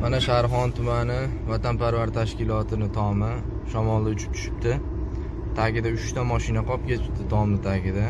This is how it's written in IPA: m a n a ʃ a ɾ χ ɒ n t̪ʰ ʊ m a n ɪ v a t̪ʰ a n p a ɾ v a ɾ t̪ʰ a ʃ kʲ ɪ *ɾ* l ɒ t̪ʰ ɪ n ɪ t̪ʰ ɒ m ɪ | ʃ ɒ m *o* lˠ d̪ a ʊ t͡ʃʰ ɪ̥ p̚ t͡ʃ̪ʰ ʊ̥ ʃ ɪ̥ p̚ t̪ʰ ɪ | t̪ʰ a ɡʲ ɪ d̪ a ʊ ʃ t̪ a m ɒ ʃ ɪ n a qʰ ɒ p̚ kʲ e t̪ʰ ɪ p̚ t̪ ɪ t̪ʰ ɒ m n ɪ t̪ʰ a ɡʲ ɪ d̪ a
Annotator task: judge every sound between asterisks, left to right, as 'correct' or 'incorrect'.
incorrect, incorrect

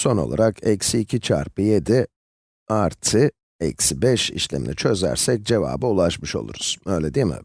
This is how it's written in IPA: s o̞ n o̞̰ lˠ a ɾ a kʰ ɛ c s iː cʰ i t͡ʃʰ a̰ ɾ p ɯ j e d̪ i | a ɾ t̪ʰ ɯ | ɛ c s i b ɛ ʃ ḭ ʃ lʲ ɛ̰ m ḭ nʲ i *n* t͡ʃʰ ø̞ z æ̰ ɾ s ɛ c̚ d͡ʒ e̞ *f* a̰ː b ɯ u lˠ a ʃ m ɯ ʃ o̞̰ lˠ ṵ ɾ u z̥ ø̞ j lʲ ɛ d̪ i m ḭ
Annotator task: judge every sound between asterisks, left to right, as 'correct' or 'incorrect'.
incorrect, incorrect

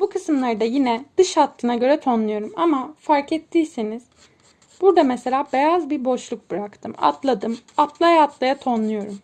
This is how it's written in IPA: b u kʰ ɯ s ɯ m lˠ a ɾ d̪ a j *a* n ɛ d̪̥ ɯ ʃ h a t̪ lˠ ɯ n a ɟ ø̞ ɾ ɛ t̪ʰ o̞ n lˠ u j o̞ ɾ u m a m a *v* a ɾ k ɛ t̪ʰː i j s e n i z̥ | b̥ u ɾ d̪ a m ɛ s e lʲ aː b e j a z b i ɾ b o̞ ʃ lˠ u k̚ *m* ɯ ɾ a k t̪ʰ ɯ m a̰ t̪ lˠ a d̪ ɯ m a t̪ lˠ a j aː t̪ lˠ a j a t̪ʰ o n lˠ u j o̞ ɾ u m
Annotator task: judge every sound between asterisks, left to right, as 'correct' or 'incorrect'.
incorrect, incorrect, incorrect

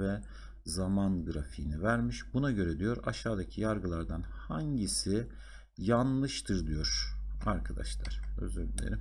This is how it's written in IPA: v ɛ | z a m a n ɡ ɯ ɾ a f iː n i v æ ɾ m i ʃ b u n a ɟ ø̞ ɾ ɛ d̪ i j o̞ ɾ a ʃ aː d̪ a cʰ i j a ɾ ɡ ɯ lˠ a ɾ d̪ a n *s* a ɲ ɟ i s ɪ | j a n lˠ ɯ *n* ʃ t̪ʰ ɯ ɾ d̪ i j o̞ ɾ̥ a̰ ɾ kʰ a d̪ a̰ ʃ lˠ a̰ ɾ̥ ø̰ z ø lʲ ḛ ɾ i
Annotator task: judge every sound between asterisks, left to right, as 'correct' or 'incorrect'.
incorrect, incorrect

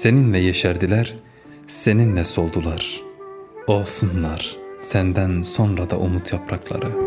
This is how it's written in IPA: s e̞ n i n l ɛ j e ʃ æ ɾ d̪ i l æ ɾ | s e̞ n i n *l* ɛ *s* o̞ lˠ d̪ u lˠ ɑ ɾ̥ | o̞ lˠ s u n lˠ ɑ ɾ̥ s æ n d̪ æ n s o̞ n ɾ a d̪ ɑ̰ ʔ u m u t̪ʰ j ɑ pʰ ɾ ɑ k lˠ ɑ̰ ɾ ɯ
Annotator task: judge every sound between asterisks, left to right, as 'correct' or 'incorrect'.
correct, correct

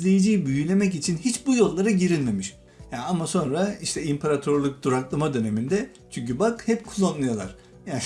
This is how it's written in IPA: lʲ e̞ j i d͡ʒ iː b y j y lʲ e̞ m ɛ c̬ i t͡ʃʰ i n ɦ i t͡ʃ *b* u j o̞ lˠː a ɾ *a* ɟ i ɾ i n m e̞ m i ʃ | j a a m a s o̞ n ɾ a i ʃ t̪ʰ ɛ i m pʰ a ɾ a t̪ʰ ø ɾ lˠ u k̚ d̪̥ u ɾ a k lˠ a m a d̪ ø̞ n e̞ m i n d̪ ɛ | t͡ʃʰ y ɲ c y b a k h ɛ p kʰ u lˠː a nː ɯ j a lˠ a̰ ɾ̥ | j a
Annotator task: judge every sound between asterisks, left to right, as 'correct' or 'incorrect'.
correct, correct

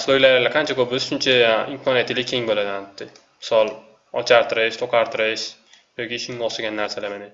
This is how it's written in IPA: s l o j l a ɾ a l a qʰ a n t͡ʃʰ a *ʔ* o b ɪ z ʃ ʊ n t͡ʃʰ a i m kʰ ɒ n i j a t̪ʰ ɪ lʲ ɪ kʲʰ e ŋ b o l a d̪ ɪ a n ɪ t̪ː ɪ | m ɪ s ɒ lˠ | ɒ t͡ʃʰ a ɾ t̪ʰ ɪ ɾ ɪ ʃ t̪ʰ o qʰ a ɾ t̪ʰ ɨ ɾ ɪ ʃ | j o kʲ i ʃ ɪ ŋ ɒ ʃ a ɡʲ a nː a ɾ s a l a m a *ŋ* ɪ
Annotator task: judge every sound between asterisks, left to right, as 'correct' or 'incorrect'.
incorrect, incorrect

